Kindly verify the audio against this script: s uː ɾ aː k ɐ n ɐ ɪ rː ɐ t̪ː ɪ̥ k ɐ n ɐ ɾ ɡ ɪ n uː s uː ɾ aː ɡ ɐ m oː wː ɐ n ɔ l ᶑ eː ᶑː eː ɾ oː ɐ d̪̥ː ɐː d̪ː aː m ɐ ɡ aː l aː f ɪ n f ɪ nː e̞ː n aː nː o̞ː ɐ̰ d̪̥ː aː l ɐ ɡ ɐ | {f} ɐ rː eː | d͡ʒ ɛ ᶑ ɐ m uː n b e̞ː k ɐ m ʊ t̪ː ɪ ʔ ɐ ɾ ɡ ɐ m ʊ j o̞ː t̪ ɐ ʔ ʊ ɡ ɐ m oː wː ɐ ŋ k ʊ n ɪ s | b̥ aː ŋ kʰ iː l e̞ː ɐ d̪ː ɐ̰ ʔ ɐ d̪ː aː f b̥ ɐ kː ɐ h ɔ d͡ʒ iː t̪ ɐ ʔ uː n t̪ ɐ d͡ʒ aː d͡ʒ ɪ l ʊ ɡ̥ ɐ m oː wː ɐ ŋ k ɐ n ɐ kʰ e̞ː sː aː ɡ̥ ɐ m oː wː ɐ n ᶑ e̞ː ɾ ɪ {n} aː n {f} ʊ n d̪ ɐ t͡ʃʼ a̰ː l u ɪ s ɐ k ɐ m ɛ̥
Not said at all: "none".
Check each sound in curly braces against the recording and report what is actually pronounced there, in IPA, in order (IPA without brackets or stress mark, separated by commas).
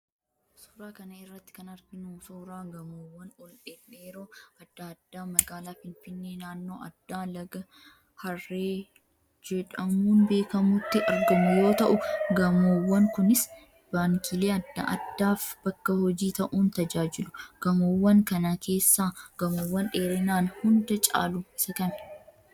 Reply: h, n, h